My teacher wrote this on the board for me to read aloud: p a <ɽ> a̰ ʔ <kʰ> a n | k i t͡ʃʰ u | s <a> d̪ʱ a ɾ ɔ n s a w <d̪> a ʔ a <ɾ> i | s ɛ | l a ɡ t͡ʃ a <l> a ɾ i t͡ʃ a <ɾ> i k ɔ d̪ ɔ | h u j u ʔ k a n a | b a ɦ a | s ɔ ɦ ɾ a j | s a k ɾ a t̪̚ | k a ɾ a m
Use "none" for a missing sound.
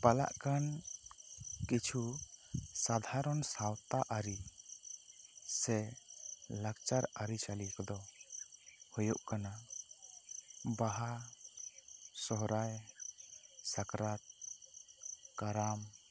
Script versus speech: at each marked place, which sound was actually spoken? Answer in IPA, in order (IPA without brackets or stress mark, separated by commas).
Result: l, k, a, t̪, ɾ, ɾ, l